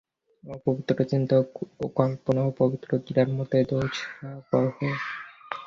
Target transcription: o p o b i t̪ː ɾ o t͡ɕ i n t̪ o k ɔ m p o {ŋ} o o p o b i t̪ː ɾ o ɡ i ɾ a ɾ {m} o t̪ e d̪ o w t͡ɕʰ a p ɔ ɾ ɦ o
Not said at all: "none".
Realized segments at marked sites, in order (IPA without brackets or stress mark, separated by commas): n, m